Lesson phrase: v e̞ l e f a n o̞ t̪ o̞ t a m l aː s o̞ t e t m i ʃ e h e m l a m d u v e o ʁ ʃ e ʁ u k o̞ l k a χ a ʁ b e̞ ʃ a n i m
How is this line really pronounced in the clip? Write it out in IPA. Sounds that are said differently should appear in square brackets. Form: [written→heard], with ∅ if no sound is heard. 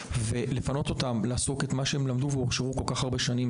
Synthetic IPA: v e̞ l e f a n o̞ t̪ o̞ t a m l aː s o̞ [t→k] e t m [i→a] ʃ e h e m l a m d u v e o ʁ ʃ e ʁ u k o̞ l k a χ a ʁ b e̞ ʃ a n i m